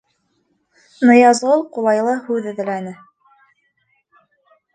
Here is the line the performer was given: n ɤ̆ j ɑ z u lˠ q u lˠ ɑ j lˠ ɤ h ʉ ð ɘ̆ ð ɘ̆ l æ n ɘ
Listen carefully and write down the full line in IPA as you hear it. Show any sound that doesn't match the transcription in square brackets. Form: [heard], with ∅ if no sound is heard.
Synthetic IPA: n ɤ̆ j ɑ z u lˠ q u lˠ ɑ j lˠ ɤ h ʉ ð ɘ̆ ð ɘ̆ l æ n ɘ